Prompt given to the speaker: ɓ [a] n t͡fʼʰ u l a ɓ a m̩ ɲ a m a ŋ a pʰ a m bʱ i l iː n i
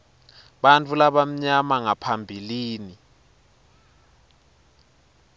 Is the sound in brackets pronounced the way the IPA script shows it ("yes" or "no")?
yes